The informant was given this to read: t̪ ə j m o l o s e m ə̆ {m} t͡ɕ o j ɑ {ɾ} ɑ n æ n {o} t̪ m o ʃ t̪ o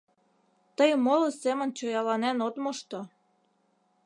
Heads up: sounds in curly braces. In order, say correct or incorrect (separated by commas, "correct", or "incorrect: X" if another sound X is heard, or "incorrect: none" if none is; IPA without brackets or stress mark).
incorrect: n, incorrect: l, correct